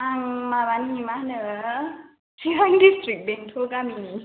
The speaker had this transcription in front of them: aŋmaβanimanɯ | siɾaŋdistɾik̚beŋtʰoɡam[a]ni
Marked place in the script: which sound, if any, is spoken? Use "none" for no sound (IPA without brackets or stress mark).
i